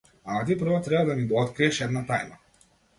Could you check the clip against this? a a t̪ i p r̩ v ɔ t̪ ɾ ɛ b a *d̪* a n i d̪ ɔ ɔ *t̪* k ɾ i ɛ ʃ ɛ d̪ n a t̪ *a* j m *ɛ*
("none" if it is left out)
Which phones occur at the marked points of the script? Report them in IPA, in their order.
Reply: d̪, t̪, a, a

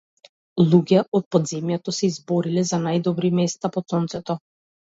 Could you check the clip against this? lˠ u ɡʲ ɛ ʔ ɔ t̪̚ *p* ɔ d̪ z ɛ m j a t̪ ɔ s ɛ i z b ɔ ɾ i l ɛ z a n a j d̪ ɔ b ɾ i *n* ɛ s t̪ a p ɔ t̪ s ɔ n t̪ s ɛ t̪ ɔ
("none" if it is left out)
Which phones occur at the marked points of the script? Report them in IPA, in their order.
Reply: p, m

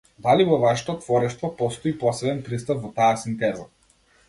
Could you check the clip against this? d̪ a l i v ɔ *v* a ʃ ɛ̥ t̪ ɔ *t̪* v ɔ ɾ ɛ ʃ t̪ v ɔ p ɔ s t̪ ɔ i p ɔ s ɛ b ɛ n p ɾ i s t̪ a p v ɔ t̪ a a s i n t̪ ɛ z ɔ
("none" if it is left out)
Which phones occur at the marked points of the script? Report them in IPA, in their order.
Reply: v, t̪

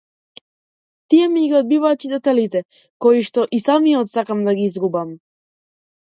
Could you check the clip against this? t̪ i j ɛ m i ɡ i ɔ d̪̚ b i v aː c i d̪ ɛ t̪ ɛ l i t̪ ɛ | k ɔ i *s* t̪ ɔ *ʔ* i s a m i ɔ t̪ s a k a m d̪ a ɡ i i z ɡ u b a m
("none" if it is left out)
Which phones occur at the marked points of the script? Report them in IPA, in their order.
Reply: ʃ, ʔ

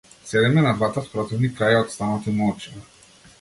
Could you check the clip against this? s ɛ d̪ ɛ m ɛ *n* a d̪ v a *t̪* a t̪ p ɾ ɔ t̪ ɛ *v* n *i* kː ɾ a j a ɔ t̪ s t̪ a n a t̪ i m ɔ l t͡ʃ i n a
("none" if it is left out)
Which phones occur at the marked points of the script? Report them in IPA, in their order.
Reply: n, t̪, v, i

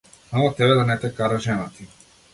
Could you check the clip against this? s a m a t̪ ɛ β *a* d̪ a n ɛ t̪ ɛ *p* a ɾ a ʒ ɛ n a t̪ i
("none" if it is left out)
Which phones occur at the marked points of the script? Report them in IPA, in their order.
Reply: ɛ, k

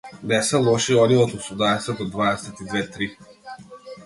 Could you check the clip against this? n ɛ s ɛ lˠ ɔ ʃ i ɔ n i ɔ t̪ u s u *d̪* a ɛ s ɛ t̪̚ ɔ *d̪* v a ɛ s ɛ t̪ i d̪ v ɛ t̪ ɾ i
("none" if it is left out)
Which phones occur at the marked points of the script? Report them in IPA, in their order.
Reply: d̪, d̪

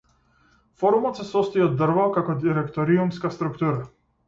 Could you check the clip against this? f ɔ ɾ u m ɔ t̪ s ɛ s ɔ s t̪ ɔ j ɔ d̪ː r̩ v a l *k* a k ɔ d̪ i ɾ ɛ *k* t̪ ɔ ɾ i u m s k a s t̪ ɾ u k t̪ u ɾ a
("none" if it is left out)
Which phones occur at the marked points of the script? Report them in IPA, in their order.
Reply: k, k

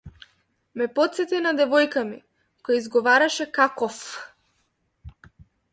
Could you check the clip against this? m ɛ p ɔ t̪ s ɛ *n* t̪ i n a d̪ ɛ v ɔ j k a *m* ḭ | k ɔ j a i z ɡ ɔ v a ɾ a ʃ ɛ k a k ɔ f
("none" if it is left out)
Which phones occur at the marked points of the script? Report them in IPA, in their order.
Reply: none, m

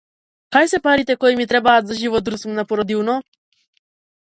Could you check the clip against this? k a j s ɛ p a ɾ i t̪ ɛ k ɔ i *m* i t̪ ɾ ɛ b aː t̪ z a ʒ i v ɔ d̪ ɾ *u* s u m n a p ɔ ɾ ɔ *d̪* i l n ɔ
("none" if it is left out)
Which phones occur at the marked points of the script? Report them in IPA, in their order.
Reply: m, u, d̪

